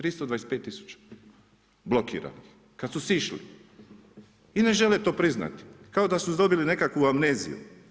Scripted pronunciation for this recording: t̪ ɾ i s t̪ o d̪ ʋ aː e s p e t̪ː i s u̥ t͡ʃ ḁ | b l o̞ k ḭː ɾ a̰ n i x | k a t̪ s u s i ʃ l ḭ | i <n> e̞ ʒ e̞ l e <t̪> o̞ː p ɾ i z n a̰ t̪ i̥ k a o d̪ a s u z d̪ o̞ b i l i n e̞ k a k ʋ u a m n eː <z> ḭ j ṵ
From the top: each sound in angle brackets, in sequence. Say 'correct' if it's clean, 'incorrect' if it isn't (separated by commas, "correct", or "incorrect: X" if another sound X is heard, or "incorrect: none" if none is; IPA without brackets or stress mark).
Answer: correct, correct, correct